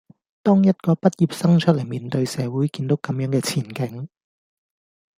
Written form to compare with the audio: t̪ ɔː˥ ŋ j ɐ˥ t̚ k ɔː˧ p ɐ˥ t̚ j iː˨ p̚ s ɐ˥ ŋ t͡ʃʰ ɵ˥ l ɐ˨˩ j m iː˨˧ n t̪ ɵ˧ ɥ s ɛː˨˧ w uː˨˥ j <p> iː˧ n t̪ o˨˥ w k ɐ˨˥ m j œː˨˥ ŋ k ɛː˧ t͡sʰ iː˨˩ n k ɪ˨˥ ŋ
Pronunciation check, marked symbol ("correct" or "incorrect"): incorrect